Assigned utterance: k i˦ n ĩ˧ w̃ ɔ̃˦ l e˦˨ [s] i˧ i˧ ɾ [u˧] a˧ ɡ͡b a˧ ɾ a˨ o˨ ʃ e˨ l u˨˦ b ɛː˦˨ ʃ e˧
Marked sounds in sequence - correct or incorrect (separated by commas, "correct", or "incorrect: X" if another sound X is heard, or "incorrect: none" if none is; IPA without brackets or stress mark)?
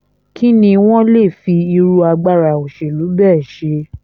incorrect: f, correct